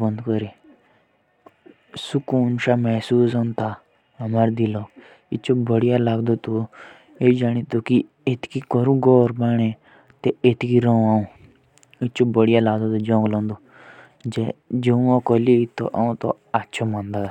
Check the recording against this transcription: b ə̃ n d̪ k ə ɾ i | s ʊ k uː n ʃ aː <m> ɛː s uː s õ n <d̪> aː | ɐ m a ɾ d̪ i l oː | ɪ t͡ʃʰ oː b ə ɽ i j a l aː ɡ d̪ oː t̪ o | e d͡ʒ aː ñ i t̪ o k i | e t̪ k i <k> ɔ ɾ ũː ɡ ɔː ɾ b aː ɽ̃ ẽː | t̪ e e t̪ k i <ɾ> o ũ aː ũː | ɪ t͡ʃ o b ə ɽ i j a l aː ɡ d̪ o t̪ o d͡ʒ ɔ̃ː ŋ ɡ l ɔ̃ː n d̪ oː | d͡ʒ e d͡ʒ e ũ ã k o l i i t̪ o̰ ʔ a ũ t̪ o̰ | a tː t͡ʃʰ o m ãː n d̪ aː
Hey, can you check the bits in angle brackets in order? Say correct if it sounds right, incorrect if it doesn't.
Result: correct, incorrect, correct, correct

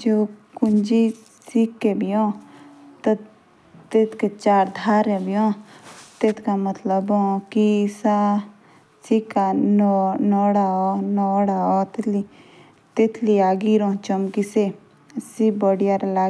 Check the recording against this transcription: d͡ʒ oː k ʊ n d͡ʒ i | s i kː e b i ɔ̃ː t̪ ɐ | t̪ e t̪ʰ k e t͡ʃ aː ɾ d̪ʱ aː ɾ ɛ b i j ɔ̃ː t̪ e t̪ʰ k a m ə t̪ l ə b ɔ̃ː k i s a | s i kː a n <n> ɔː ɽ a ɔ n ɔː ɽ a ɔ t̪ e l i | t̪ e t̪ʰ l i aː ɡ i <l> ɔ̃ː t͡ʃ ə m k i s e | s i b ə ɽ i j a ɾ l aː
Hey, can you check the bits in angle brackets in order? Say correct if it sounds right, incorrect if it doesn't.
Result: correct, incorrect

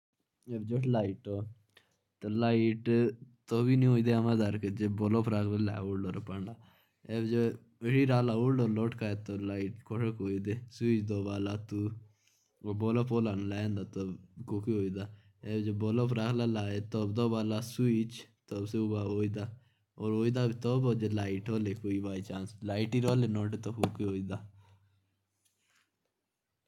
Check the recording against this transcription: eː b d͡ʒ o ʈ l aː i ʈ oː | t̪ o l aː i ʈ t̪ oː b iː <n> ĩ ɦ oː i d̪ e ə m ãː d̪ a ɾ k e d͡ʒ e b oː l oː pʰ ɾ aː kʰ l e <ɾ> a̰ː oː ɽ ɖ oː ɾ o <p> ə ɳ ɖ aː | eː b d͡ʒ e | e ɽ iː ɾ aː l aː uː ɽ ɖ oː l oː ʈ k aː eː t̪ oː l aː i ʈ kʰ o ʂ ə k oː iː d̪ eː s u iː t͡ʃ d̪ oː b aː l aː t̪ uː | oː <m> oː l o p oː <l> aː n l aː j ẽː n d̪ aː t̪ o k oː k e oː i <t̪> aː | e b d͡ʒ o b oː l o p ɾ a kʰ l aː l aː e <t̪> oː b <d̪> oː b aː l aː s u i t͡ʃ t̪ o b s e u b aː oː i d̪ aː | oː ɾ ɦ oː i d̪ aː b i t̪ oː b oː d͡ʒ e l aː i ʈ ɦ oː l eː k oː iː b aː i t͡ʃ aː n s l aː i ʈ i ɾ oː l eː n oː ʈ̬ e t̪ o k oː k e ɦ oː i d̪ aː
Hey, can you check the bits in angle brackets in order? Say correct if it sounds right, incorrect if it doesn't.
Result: correct, incorrect, correct, incorrect, correct, incorrect, correct, correct

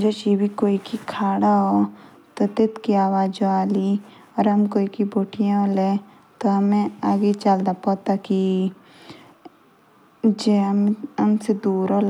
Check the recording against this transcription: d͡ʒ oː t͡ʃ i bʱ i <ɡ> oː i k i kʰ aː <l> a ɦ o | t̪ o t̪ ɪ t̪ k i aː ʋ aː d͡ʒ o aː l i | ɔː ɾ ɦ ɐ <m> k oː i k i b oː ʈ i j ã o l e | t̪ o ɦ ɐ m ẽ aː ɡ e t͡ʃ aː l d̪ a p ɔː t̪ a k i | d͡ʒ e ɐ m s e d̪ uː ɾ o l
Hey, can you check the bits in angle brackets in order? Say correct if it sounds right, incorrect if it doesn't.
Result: incorrect, incorrect, correct

